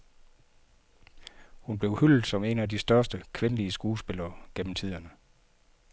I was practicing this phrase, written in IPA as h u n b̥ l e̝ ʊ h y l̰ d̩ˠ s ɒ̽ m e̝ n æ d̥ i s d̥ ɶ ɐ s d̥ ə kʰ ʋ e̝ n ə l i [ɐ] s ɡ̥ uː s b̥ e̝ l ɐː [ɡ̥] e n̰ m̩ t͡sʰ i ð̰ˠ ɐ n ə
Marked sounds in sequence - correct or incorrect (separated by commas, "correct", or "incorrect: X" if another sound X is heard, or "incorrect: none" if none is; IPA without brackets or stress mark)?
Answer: incorrect: ə, correct